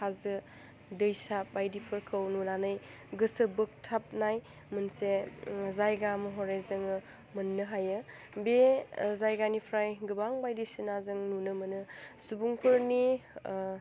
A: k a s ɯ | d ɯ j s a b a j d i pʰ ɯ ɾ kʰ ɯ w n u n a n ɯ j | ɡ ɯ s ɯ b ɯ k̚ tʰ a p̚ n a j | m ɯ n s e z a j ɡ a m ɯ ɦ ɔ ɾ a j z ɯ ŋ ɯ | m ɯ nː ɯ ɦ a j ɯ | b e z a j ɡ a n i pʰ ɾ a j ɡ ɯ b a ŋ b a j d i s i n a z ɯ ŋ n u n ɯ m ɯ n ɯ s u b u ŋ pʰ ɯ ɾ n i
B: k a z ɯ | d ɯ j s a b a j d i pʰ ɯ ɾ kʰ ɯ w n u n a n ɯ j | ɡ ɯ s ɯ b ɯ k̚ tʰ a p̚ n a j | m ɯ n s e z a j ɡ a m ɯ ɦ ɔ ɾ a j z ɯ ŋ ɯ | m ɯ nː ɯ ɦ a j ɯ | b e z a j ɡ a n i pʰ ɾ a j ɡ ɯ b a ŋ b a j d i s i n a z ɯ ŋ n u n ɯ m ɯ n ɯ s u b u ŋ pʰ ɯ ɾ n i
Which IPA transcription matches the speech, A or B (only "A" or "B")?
B